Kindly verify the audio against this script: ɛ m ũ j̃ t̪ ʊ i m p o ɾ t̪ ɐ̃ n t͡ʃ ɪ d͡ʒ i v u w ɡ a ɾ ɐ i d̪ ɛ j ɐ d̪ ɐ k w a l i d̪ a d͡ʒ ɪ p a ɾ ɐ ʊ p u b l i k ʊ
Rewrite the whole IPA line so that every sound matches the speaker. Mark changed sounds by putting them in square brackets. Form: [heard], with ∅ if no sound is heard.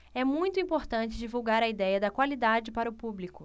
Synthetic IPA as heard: ɛ m ũ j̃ t̪ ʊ [ĩ] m p o ɾ t̪ ɐ̃ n t͡ʃ ɪ d͡ʒ i v u w ɡ a ɾ ɐ i d̪ ɛ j ɐ d̪ ɐ k w a l i d̪ a d͡ʒ ɪ p a ɾ ɐ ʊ p u b l i k ʊ

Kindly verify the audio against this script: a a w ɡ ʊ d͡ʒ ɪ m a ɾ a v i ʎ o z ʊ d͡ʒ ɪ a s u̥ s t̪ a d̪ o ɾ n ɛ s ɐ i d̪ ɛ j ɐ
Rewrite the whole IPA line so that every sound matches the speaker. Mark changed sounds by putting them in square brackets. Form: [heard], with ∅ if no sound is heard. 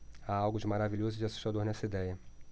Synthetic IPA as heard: a a w ɡ ʊ d͡ʒ ɪ m a ɾ a v i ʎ o z ʊ d͡ʒ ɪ a s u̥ [ʃ] t̪ a d̪ o ɾ n ɛ s ɐ i d̪ ɛ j ɐ

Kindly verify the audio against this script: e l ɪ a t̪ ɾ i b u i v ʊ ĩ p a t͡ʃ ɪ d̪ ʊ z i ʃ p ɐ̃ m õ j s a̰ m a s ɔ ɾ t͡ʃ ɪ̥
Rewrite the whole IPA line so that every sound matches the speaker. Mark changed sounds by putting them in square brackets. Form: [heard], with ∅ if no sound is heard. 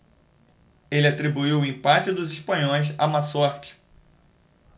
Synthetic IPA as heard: e l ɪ a t̪ ɾ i b u i [w] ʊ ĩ p a t͡ʃ ɪ d̪ ʊ z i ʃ p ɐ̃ [ɲ] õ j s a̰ m a s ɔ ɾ t͡ʃ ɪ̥

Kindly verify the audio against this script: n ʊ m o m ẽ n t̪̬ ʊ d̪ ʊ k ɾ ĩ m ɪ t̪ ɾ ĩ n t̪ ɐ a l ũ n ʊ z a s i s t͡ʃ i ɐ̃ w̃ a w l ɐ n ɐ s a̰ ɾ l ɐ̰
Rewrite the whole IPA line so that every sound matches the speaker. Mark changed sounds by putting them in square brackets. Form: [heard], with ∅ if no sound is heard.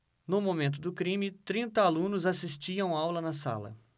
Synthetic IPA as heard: n ʊ m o m ẽ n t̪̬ ʊ d̪ ʊ k ɾ ĩ m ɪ t̪ ɾ ĩ n t̪ ɐ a l ũ n ʊ z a s i s t͡ʃ i ɐ̃ w̃ a w l ɐ n ɐ s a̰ [∅] l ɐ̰

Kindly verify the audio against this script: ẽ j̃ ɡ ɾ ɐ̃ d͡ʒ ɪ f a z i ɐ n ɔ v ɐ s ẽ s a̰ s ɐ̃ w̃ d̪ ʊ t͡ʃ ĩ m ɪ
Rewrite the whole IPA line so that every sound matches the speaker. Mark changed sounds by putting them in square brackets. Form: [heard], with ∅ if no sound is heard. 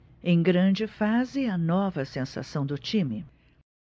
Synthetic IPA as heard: ẽ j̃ ɡ ɾ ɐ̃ d͡ʒ ɪ f a z [ɪ] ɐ n ɔ v ɐ s ẽ s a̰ s ɐ̃ w̃ d̪ ʊ t͡ʃ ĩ m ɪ

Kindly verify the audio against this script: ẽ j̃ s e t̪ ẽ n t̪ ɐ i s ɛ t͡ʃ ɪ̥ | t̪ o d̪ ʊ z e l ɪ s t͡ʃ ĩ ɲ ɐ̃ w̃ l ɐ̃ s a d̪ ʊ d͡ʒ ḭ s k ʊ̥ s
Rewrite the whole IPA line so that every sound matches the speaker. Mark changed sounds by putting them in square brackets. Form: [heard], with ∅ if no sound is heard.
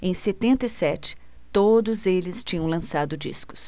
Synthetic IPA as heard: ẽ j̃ s e t̪ ẽ n t̪ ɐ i s ɛ t͡ʃ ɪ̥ | t̪ o d̪ ʊ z e l ɪ s t͡ʃ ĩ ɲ ɐ̃ w̃ l ɐ̃ s a d̪ ʊ d͡ʒ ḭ s k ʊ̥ s

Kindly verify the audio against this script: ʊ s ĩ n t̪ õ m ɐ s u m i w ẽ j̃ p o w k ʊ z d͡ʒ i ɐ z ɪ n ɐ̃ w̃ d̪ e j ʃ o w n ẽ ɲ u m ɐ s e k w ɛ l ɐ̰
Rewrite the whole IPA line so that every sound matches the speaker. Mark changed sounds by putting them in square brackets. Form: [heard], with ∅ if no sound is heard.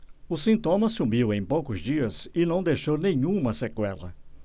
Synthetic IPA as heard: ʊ s ĩ n t̪ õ m ɐ s u m i w ẽ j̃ p o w k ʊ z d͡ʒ i ɐ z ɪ n ɐ̃ w̃ d̪ e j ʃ o w n ẽ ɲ [ũ] m ɐ s e k w ɛ l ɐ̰

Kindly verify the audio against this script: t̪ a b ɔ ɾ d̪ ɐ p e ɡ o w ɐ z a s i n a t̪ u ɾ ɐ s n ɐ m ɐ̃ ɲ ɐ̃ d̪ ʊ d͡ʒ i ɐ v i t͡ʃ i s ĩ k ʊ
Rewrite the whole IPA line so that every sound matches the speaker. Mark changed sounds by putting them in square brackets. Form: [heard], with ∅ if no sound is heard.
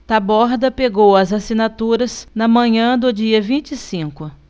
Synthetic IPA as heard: t̪ a b ɔ ɾ d̪ ɐ p e ɡ o w ɐ z a s i n a t̪ u ɾ ɐ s n ɐ m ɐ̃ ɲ ɐ̃ d̪ ʊ d͡ʒ i ɐ v [ĩ] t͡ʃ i s ĩ k ʊ

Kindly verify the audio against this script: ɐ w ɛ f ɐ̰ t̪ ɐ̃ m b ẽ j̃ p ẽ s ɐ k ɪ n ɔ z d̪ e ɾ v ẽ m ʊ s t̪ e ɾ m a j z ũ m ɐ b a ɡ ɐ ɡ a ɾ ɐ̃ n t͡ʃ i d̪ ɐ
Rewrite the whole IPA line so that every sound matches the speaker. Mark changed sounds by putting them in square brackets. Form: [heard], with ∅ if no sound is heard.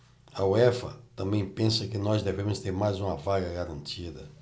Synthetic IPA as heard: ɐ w ɛ f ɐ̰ t̪ ɐ̃ m b ẽ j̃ p ẽ s ɐ k ɪ n ɔ z d̪ e [∅] v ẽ m ʊ s t̪ e ɾ m a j z ũ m ɐ [v] a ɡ ɐ ɡ a ɾ ɐ̃ n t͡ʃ i d̪ ɐ

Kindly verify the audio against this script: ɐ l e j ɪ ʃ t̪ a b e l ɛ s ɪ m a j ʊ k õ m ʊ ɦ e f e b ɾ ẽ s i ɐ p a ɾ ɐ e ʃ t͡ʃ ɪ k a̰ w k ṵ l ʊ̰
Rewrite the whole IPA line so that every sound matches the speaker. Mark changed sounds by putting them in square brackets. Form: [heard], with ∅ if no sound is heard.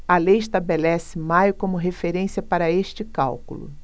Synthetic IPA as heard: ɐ l e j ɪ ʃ t̪ a b e l ɛ s ɪ m a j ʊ k õ m ʊ ɦ e f e [∅] ɾ ẽ s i ɐ p a ɾ ɐ e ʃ t͡ʃ ɪ k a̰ w k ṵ l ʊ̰

